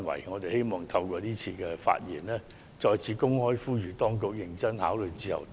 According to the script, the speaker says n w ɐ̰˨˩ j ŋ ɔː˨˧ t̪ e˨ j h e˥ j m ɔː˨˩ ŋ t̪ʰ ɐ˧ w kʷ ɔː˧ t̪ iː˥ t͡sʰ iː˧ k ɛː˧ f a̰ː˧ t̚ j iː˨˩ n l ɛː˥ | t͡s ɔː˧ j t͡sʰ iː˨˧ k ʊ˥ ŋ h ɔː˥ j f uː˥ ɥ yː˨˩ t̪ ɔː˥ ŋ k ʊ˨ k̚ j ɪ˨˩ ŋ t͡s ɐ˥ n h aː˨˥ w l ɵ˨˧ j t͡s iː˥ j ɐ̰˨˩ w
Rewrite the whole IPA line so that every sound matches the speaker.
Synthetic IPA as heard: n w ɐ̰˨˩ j ŋ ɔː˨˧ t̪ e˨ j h e˥ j m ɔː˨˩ ŋ t̪ʰ ɐ˧ w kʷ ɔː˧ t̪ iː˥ t͡sʰ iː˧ k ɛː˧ f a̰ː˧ t̚ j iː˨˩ n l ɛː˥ | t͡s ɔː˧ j t͡sʰ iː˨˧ k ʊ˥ ŋ h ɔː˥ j f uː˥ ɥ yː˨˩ t̪ ɔː˥ ŋ k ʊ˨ k̚ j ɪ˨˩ ŋ t͡s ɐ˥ n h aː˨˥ w l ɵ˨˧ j t͡s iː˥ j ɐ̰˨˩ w